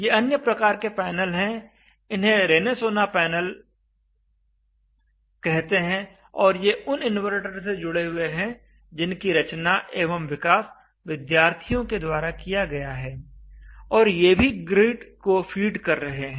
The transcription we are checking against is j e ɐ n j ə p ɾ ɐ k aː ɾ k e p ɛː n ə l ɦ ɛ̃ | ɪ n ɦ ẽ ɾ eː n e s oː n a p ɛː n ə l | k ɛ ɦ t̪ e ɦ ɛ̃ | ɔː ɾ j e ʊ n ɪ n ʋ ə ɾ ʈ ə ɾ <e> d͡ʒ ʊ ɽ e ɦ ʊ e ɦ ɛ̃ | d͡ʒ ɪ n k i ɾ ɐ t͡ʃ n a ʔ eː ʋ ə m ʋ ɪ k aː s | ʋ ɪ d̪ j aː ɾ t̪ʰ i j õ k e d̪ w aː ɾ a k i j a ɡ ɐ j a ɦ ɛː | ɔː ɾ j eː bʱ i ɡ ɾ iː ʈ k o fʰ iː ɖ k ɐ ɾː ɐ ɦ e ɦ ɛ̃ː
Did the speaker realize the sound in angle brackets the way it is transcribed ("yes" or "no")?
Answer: yes